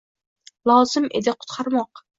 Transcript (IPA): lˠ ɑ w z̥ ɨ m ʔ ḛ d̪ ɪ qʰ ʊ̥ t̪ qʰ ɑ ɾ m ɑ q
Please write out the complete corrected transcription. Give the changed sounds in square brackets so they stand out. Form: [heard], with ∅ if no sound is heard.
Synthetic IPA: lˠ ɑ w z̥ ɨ m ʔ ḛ d̪ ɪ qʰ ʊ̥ t̪ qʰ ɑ ɾ m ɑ q